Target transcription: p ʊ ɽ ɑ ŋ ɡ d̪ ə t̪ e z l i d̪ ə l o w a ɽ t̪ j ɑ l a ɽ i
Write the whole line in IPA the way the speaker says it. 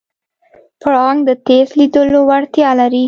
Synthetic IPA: p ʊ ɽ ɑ ŋ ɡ d̪ ə t̪ e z l i d̪ ə l o w a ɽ t̪ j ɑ l a ɾ i